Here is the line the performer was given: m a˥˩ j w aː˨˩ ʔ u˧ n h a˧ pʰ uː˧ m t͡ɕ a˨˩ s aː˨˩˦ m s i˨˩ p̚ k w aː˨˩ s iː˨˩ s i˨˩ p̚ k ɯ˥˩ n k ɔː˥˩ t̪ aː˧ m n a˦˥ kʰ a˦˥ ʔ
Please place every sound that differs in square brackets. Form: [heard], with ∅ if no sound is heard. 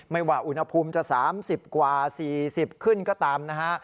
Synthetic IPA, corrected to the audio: m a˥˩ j w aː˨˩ ʔ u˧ n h a˧ pʰ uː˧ m t͡ɕ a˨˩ s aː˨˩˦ m s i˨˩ p̚ k w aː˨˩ s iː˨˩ s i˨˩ p̚ [kʰ] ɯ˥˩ n k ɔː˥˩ t̪ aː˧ m n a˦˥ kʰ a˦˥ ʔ